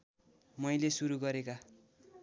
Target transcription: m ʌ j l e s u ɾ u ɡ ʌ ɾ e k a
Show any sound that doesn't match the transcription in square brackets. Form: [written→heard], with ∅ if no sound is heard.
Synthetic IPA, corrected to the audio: m ʌ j l e s u ɾ u ɡ ʌ ɾ e k a

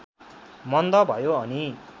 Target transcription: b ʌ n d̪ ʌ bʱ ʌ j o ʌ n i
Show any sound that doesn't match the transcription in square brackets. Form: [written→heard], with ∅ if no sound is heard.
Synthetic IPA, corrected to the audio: [b→m] ʌ n d̪ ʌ bʱ ʌ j o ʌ n i

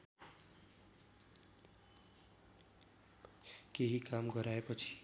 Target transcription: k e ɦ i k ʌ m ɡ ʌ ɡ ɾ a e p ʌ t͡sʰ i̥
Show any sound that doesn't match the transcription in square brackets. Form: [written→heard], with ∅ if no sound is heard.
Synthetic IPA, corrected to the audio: k e ɦ i k [ʌ→a] m ɡ ʌ [ɡ→∅] ɾ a e p ʌ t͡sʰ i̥

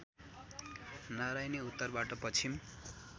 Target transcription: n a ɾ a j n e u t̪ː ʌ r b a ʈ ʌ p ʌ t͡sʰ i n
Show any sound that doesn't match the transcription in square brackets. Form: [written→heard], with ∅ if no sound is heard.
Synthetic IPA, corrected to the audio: n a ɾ a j n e u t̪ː ʌ r b a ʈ ʌ p ʌ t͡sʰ i [n→m]

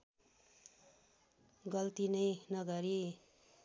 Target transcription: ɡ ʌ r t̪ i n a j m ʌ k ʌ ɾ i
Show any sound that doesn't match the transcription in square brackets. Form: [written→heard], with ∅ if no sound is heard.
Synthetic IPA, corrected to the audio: ɡ ʌ [r→l] t̪ i n [a→ʌ] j [m→n] ʌ [k→ɡ] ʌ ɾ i

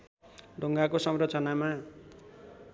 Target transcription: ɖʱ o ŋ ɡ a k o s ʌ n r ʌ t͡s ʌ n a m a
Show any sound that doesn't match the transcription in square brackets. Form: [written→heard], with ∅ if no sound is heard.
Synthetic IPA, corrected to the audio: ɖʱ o ŋ ɡ a k o s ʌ [n→m] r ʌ t͡s ʌ n a m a

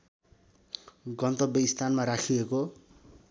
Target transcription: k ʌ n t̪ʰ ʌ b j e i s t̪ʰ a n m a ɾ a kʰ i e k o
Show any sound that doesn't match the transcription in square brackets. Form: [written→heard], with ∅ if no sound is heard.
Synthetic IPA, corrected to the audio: [k→ɡ] ʌ n [t̪ʰ→t̪] ʌ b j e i s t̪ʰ a n m a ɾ a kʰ i e k o

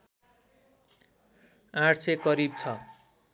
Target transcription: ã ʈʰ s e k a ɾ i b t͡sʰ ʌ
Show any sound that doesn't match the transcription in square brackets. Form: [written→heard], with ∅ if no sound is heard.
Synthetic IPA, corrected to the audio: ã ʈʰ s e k [a→ʌ] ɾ i b t͡sʰ ʌ

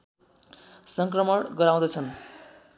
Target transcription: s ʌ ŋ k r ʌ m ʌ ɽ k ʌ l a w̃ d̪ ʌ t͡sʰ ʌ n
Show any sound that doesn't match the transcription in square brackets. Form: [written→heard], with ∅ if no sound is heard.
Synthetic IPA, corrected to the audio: s ʌ ŋ k r ʌ m ʌ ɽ [k→ɡ] ʌ [l→ɾ] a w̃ d̪ ʌ t͡sʰ ʌ n

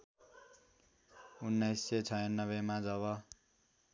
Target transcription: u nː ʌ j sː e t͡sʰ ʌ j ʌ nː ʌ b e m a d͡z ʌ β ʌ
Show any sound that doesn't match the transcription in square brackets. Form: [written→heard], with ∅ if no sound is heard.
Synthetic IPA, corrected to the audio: u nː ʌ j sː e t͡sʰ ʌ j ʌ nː ʌ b e m a d͡z ʌ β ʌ

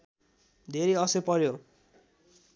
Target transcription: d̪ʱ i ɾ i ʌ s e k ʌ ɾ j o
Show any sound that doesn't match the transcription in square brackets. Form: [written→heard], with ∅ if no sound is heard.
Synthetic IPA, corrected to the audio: d̪ʱ [i→e] ɾ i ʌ s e [k→p] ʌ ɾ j o

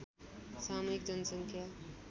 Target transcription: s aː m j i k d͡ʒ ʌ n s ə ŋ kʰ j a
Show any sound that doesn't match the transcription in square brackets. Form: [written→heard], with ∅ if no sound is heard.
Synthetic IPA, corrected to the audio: s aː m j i k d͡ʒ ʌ n s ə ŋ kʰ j a

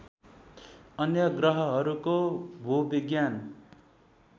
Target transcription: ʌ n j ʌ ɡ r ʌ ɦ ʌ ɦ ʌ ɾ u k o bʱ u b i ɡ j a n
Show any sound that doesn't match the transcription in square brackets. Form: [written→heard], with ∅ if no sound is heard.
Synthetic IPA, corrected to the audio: ʌ n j ʌ ɡ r ʌ ɦ ʌ ɦ ʌ ɾ u k o bʱ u b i ɡ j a n

